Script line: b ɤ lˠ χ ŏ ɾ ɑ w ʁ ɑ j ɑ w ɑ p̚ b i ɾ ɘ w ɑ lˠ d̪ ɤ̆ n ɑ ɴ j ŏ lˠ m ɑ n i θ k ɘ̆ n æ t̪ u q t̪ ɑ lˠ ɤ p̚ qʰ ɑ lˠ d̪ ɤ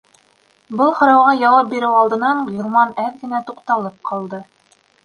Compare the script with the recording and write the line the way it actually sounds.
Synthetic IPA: b ɤ lˠ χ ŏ ɾ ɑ w ʁ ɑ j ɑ w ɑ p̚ b i ɾ ɘ w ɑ lˠ d̪ ɤ̆ n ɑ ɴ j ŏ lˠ m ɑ n æ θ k ɘ̆ n æ t̪ u q t̪ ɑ lˠ ɤ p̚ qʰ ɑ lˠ d̪ ɤ